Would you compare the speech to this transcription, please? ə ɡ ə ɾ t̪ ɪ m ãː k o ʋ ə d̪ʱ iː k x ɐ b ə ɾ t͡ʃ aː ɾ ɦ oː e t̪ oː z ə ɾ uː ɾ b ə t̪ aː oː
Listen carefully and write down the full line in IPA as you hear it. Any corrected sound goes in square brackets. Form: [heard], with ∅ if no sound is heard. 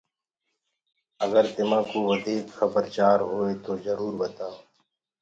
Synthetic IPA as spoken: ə ɡ ə ɾ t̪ ɪ m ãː k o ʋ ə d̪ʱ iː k x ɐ b ə ɾ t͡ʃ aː ɾ ɦ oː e t̪ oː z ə ɾ uː ɾ b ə t̪ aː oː